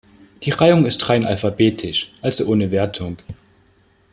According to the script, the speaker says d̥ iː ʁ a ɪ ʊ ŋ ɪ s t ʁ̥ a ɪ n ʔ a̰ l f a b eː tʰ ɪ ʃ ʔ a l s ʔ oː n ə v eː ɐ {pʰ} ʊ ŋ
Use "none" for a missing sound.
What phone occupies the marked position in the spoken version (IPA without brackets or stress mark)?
tʰ